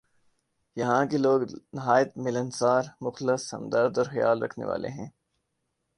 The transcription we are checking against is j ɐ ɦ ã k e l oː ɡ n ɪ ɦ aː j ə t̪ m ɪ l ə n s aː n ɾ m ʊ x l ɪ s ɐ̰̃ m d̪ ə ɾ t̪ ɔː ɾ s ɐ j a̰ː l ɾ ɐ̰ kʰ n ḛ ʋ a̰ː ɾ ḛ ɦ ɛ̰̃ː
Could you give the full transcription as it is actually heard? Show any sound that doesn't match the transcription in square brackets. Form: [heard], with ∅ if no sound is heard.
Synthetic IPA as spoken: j ɐ ɦ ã k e l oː ɡ n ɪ ɦ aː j ə t̪ m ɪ l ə n s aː [∅] ɾ m ʊ x l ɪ s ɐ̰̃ m d̪ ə ɾ [d̪] ɔː ɾ [x] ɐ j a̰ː l ɾ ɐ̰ kʰ n ḛ ʋ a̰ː [l] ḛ ɦ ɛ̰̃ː